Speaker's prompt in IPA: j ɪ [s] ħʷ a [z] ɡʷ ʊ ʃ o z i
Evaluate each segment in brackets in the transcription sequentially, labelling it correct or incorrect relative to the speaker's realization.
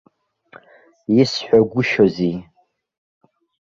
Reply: correct, incorrect: none

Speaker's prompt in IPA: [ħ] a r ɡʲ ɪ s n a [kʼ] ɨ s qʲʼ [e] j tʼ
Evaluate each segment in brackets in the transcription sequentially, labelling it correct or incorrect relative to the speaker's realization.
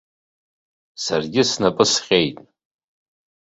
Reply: incorrect: s, incorrect: pʼ, correct

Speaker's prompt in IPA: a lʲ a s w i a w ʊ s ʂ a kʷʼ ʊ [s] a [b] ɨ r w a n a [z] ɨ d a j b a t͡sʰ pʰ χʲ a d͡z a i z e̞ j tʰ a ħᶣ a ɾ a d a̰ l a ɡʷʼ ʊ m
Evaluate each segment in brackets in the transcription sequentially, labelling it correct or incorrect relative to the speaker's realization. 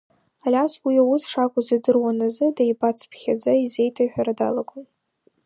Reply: incorrect: z, incorrect: d, correct

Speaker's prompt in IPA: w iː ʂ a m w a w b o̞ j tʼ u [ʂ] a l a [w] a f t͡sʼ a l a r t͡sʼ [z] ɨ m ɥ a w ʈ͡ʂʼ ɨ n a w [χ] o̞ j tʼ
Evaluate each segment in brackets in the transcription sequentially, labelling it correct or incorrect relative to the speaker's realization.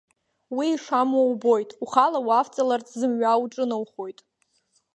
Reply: incorrect: χ, correct, correct, correct

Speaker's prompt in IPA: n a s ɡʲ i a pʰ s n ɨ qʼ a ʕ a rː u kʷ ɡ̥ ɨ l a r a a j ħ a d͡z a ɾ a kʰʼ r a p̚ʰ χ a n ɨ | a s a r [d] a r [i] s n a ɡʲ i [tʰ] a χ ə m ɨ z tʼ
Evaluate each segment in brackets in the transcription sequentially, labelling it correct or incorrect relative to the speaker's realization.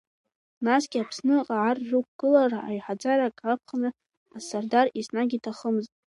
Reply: correct, correct, correct

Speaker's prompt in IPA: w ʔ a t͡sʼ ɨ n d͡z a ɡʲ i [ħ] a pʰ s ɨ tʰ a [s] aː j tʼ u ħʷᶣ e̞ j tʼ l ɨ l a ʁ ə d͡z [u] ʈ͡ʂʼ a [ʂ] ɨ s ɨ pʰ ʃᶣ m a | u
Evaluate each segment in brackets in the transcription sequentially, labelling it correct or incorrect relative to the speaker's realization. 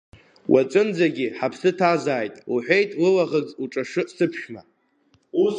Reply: correct, incorrect: z, correct, correct

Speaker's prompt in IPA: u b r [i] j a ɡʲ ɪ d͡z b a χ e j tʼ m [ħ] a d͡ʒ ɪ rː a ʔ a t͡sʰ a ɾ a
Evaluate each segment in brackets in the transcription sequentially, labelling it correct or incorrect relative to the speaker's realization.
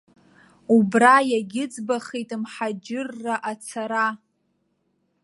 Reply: incorrect: a, correct

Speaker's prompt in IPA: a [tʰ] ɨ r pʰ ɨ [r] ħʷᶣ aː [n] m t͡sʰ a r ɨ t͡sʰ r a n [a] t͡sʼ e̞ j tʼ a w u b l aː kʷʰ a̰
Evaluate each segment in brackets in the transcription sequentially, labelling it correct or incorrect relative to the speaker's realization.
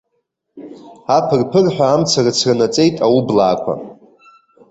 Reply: incorrect: pʰ, correct, incorrect: none, correct

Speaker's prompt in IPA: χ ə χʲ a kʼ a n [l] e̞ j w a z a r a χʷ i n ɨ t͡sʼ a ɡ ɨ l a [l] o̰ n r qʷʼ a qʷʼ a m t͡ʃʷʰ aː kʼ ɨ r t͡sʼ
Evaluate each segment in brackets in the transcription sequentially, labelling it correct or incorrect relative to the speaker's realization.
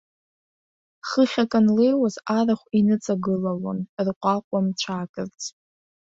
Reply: correct, correct

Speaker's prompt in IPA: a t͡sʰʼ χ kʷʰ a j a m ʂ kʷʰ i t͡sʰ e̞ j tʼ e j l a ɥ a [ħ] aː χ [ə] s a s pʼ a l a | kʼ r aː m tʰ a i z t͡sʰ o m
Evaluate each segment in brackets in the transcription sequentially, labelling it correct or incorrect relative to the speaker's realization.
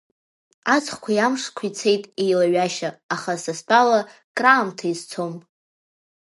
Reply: incorrect: ʃ, incorrect: a

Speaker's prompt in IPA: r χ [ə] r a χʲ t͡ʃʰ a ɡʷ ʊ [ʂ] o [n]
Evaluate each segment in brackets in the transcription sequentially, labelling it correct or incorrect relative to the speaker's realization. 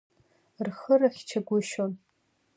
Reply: correct, incorrect: ʃ, correct

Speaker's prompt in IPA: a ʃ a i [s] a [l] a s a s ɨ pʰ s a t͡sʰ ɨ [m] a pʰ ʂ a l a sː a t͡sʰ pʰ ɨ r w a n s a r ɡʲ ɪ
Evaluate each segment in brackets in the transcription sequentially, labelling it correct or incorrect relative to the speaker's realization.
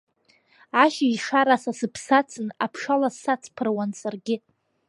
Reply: incorrect: ʂ, incorrect: ɾ, incorrect: n

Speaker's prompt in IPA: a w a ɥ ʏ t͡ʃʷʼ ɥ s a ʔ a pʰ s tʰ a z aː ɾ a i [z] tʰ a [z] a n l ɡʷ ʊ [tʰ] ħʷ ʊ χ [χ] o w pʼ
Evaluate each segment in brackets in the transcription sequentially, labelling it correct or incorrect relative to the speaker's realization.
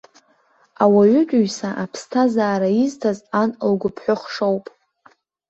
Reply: correct, correct, incorrect: pʰ, incorrect: ʂ

